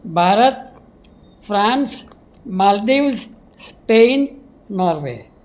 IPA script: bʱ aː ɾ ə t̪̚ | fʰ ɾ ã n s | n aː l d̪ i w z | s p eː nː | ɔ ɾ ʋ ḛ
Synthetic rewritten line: bʱ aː ɾ ə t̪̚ | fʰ ɾ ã n s | m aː l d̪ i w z | s p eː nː | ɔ ɾ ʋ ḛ